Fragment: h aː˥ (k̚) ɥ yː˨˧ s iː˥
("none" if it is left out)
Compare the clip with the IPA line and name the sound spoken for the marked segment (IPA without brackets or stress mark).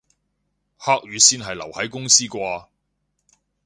k̚